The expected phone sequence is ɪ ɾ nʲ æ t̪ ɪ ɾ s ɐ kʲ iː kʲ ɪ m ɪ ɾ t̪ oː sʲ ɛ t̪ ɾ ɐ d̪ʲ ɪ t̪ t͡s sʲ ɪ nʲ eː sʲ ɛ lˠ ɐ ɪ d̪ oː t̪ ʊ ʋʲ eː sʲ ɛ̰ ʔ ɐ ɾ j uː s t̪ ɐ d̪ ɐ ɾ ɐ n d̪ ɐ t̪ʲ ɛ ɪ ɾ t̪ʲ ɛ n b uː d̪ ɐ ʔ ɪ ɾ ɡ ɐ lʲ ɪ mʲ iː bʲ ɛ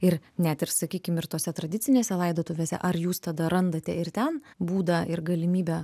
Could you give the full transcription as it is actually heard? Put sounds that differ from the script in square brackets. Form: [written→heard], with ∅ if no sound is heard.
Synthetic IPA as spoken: ɪ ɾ nʲ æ t̪ ɪ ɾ s ɐ kʲ iː kʲ ɪ m ɪ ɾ t̪ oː sʲ ɛ t̪ ɾ ɐ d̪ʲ ɪ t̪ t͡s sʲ ɪ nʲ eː sʲ ɛ lˠ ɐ ɪ d̪ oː t̪ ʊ ʋʲ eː sʲ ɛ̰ ʔ ɐ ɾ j uː s t̪ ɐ d̪ ɐ ɾ ɐ n d̪ ɐ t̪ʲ ɛ ɪ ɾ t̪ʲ ɛ n b uː d̪ ɐ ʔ ɪ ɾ ɡ ɐ lʲ ɪ mʲ iː bʲ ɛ

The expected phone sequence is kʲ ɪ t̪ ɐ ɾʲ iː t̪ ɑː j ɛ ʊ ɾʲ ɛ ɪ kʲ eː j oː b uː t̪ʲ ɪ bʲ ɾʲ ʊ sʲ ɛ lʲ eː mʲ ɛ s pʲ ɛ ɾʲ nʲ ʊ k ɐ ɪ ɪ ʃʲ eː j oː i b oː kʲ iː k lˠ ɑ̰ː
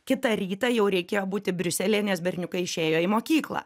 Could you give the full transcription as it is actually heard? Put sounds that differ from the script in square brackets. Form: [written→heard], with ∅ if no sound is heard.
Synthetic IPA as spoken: kʲ ɪ t̪ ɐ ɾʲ iː t̪ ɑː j ɛ ʊ ɾʲ ɛ ɪ kʲ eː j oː b uː t̪ʲ ɪ bʲ ɾʲ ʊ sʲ ɛ lʲ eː [mʲ→nʲ] ɛ s [pʲ→bʲ] ɛ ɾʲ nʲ ʊ k ɐ ɪ ɪ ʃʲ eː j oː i [b→m] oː kʲ iː k lˠ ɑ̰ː

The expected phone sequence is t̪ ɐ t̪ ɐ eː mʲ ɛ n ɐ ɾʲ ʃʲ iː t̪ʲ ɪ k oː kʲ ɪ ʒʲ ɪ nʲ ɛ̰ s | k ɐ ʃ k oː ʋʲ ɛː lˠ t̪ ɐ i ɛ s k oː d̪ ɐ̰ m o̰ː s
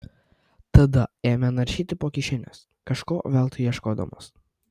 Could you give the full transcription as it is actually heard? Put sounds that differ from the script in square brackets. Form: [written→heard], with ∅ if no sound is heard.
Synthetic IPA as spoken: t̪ ɐ [t̪→d̪] ɐ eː mʲ ɛ n ɐ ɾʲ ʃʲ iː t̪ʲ ɪ [k→p] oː kʲ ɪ [ʒʲ→ʃʲ] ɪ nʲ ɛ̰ s | k ɐ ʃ k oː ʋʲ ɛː lˠ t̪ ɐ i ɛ [s→ʃ] k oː d̪ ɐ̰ m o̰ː s

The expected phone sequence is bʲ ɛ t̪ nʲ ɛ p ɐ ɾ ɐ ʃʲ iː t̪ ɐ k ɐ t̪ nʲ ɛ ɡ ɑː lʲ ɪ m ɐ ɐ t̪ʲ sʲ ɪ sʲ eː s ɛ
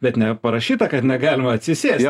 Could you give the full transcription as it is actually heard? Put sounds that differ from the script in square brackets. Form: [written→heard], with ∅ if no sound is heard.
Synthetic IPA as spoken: bʲ ɛ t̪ nʲ ɛ p ɐ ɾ ɐ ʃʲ iː t̪ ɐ k ɐ t̪ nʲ ɛ ɡ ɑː lʲ ɪ m ɐ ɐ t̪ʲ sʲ ɪ sʲ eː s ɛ

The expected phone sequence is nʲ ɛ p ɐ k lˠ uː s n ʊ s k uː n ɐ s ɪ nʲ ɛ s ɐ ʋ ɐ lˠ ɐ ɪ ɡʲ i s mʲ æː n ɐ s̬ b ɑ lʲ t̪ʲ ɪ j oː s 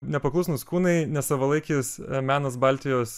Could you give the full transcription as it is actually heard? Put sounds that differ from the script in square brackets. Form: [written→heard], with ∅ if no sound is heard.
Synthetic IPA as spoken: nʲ ɛ p ɐ k lˠ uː s n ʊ s k uː n ɐ [s→∅] ɪ nʲ ɛ s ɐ ʋ ɐ lˠ ɐ ɪ [ɡʲ→kʲ] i s mʲ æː n ɐ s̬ b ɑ lʲ t̪ʲ ɪ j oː s

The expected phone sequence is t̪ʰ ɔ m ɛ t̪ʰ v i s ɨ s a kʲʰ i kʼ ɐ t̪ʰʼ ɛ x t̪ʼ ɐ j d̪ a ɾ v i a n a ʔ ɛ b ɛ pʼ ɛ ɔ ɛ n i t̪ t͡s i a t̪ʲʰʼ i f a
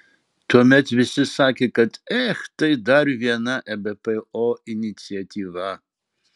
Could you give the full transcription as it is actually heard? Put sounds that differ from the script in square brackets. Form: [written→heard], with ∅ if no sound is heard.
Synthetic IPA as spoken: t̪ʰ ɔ m ɛ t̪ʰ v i s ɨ s a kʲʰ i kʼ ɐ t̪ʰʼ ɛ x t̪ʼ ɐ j d̪ a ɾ v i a n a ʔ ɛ b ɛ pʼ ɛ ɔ [ɛ→i] n i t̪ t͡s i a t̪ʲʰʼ i [f→v] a

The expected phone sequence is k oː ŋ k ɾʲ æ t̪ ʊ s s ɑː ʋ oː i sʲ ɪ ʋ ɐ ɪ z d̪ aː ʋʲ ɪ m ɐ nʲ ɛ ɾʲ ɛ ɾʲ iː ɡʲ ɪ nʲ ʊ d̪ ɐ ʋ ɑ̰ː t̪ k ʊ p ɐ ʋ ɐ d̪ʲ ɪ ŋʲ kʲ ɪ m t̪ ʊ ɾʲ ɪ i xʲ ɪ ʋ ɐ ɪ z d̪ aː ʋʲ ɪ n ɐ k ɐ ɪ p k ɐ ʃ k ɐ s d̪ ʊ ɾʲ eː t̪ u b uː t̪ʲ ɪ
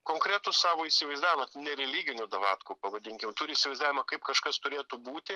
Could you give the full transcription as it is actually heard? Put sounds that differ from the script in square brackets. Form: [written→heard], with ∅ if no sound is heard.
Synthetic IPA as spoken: k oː ŋ k ɾʲ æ t̪ ʊ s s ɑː ʋ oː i sʲ ɪ ʋ ɐ ɪ z d̪ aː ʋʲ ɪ m ɐ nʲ ɛ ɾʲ ɛ [ɾʲ→lʲ] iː ɡʲ ɪ nʲ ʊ d̪ ɐ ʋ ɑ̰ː t̪ k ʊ p ɐ ʋ ɐ d̪ʲ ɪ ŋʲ kʲ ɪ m t̪ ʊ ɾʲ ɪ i [xʲ→sʲ] ɪ ʋ ɐ ɪ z d̪ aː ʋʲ ɪ [n→m] ɐ k ɐ ɪ p k ɐ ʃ k ɐ s [d̪→t̪] ʊ ɾʲ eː t̪ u b uː t̪ʲ ɪ

